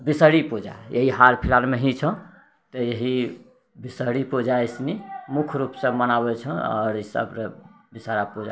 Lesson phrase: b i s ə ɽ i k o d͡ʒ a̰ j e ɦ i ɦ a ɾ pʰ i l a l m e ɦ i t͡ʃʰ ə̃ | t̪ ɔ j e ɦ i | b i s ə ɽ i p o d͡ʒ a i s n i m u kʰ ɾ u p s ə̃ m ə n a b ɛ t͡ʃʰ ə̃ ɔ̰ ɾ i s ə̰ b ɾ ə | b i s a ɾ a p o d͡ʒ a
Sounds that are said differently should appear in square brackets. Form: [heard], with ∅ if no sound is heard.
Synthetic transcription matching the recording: b i s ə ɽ i [p] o d͡ʒ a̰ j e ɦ i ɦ a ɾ pʰ i l a l m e ɦ i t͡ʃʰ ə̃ | t̪ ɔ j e ɦ i | b i s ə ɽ i p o d͡ʒ a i s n i m u kʰ ɾ u p s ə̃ m ə n a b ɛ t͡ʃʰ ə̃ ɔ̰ ɾ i s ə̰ b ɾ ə | b i s a ɾ a p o d͡ʒ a

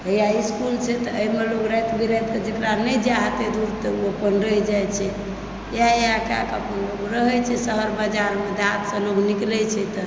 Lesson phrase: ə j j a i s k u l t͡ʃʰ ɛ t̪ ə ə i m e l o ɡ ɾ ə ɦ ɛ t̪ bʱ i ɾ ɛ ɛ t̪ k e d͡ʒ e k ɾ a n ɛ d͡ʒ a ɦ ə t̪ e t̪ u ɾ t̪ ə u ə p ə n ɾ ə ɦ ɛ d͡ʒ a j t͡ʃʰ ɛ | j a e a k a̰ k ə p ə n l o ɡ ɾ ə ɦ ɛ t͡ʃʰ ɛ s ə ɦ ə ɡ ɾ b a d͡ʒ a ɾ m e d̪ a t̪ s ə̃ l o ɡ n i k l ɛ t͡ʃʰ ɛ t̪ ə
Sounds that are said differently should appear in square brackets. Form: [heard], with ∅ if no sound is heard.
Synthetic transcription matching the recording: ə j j a i s k u l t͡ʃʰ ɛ t̪ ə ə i m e l o ɡ ɾ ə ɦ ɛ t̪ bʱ i ɾ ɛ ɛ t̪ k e d͡ʒ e k ɾ a n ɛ d͡ʒ a ɦ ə t̪ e [d̪] u ɾ t̪ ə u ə p ə n ɾ ə ɦ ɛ d͡ʒ a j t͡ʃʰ ɛ | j a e a k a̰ k ə p ə n l o ɡ ɾ ə ɦ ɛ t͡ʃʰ ɛ s ə ɦ ə [∅] ɾ b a d͡ʒ a ɾ m e d̪ a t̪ s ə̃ l o ɡ n i k l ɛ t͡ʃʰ ɛ t̪ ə

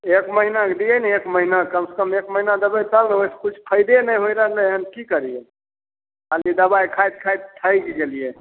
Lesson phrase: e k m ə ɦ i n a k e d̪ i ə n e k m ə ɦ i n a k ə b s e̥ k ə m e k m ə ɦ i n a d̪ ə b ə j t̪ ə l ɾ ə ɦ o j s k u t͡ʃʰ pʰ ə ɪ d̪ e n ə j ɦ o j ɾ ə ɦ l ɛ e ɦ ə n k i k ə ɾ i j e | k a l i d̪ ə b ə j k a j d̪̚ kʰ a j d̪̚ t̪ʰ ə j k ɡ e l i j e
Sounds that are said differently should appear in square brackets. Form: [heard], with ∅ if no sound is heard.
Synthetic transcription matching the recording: e k m ə ɦ i n a k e d̪ i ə n e k m ə ɦ i n a k ə [m] s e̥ k ə m e k m ə ɦ i n a d̪ ə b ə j t̪ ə l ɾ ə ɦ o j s k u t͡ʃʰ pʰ ə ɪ d̪ e n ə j ɦ o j ɾ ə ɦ l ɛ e ɦ ə n k i k ə ɾ i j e | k a l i d̪ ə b [a] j [kʰ] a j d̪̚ kʰ a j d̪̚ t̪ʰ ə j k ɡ e l i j e

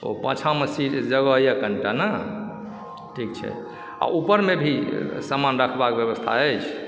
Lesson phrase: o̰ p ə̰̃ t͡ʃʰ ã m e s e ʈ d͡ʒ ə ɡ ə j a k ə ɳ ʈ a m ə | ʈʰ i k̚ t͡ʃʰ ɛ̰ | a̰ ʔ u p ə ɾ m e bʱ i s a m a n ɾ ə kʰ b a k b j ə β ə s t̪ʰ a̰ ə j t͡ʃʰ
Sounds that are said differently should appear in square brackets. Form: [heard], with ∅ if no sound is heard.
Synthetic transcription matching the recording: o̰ p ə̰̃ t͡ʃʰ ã m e s [i] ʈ d͡ʒ ə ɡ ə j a k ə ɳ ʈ a [n] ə | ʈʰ i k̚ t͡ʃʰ ɛ̰ | a̰ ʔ u p ə ɾ m e bʱ i s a m a n ɾ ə kʰ b a k b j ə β ə s t̪ʰ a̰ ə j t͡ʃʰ

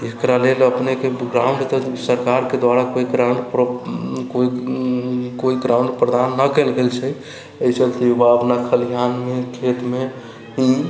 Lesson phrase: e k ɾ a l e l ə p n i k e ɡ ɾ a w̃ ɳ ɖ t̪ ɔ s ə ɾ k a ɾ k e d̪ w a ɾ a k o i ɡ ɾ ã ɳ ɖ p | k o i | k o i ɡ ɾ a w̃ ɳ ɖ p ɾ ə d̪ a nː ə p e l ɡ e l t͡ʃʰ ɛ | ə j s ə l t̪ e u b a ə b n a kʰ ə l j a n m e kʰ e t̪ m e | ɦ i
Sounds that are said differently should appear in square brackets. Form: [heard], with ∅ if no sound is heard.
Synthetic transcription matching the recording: e k ɾ a l e l ə p n [e] k e ɡ ɾ a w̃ ɳ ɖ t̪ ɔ s ə ɾ k a ɾ k e d̪ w a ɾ a k o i ɡ ɾ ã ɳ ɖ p | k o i | k o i ɡ ɾ a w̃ ɳ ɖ p ɾ ə d̪ a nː ə [k] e l ɡ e l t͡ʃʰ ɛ | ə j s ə l t̪ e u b a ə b n a kʰ ə l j a n m e kʰ e t̪ m e | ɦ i

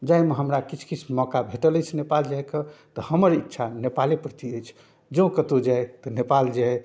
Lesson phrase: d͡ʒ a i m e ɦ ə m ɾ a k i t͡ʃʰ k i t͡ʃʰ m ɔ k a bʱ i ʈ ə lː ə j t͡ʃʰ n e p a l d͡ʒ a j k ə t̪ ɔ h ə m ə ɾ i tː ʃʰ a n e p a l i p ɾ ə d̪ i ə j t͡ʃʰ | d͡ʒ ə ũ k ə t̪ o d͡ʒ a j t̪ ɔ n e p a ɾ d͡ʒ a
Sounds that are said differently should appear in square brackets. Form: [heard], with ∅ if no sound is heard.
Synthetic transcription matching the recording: d͡ʒ a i m e ɦ ə m ɾ a k i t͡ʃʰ k i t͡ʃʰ m ɔ k a bʱ [e] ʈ ə [l] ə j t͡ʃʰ n e p a l d͡ʒ a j k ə t̪ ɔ h ə m ə ɾ i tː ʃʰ a n e p a l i p ɾ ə [t̪] i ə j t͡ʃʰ | d͡ʒ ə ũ k ə t̪ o d͡ʒ a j t̪ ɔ n e p a [l] d͡ʒ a

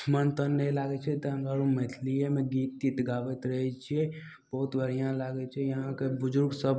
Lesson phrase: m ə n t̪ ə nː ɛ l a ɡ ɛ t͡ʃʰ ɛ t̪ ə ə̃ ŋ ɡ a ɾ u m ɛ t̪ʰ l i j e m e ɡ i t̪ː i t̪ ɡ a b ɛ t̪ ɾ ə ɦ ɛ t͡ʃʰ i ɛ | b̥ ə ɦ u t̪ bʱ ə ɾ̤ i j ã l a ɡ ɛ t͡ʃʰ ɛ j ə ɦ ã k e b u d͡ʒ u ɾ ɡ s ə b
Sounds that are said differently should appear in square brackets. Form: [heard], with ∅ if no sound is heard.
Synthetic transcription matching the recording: m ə n t̪ ə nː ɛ l a ɡ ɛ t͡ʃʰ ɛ t̪ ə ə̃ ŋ ɡ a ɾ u m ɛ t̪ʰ l i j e m e ɡ i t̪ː i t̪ ɡ a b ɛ t̪ ɾ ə ɦ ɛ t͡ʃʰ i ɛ | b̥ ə ɦ u t̪ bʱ ə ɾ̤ i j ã l a ɡ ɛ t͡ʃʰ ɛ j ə ɦ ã k e b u d͡ʒ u ɾ ɡ s ə b

